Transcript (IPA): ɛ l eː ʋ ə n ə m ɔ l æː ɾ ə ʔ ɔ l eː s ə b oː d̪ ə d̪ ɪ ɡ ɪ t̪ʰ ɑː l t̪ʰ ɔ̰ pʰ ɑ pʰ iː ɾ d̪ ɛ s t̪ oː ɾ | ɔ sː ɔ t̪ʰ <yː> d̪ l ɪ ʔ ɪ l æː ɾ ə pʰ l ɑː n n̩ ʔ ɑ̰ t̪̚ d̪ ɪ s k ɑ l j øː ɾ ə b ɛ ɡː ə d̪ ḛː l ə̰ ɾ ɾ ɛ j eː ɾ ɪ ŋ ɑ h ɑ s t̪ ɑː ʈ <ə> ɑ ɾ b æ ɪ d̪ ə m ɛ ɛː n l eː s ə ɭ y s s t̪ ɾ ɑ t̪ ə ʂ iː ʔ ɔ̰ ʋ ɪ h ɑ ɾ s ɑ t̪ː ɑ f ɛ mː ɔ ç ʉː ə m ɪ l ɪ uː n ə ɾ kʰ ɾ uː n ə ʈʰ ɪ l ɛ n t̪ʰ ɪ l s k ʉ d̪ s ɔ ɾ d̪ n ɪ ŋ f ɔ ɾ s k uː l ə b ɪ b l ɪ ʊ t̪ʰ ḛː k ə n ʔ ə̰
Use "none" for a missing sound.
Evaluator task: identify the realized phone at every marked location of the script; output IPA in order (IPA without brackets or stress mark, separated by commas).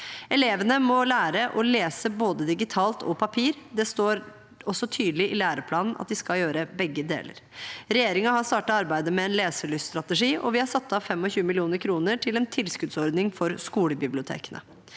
yː, ɑ